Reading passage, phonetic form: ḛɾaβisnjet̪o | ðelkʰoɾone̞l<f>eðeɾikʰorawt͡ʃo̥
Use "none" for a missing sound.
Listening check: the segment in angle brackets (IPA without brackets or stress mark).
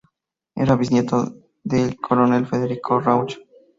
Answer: f